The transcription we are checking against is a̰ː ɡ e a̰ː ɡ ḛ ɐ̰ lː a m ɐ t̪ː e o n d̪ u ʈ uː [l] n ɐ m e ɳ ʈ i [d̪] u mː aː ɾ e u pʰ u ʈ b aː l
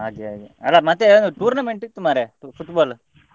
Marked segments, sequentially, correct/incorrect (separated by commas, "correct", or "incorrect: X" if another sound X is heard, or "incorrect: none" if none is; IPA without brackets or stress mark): incorrect: ɾ, incorrect: t̪